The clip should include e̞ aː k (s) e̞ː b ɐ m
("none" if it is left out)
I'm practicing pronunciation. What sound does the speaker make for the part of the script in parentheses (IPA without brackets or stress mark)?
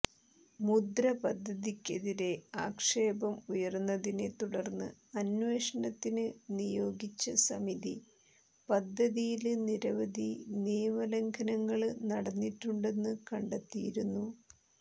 ʂ